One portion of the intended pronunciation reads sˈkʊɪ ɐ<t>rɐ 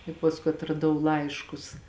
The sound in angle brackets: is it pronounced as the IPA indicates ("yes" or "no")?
yes